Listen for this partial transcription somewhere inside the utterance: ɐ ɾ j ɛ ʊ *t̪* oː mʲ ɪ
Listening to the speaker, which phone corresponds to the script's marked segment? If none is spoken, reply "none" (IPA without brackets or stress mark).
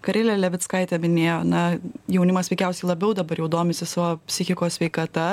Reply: d̪